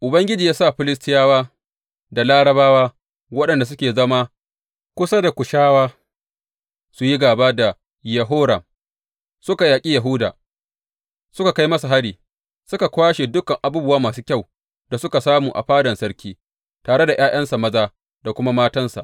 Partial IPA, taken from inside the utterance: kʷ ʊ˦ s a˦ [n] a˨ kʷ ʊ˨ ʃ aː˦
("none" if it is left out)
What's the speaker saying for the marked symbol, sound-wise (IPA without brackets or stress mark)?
d